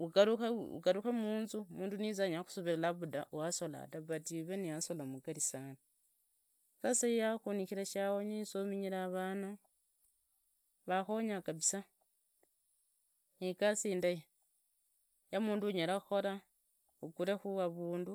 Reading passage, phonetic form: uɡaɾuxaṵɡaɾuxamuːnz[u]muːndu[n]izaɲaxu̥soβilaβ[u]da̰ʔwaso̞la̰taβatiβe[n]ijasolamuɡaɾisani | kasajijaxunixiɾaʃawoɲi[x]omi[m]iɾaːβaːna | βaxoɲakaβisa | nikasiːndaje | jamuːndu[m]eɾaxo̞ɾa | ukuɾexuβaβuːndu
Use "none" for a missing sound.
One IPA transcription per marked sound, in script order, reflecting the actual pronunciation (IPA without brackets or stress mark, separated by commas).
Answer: u, n, u, n, s, ɲ, ɲ